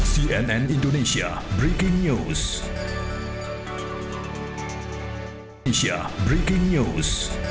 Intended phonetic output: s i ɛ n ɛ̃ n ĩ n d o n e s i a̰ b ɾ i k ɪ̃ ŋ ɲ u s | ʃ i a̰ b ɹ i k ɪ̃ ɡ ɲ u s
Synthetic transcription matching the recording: s i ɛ n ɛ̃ n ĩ n d o n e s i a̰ b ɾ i k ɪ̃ ŋ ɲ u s | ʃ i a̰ b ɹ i k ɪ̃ ŋ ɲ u s